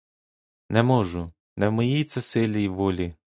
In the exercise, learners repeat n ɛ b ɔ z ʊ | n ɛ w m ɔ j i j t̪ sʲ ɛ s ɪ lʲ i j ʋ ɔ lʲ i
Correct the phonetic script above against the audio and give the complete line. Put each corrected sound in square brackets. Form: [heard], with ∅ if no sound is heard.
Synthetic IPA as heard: n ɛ [m] ɔ [ʒ] ʊ | n ɛ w m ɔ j i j t̪ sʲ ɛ s ɪ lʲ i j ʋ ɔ lʲ i